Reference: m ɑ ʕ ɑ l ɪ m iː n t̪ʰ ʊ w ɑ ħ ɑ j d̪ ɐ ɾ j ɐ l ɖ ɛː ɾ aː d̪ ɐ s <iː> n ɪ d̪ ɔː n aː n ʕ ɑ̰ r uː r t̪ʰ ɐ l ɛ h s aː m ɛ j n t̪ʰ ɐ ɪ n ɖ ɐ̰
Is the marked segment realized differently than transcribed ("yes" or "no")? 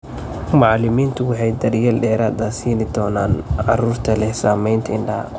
no